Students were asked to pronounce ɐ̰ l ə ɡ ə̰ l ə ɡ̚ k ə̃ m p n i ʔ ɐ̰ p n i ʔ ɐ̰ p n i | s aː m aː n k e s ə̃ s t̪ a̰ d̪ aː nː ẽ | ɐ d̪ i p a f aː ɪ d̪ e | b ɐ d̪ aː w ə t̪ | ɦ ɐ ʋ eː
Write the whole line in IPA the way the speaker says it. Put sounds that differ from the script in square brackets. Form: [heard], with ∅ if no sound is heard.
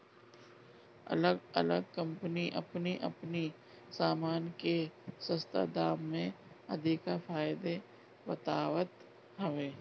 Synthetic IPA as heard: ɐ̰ l ə ɡ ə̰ l ə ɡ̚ k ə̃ m p n i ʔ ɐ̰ p n i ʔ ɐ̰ p n i | s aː m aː n k e s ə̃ s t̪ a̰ d̪ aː [mː] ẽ | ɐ d̪ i [k] a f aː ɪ d̪ e | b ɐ [t̪] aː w ə t̪ | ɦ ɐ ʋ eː